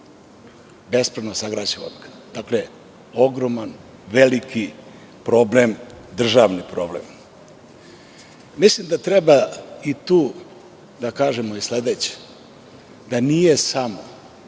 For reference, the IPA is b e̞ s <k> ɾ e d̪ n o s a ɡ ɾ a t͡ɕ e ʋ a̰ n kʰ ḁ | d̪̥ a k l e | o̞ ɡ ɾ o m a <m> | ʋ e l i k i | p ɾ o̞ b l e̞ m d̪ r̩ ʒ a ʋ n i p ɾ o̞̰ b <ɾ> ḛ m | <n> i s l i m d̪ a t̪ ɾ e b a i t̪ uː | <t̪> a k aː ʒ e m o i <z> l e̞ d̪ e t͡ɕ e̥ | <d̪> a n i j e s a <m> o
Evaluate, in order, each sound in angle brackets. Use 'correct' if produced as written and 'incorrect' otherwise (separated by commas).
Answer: incorrect, incorrect, incorrect, incorrect, incorrect, incorrect, correct, correct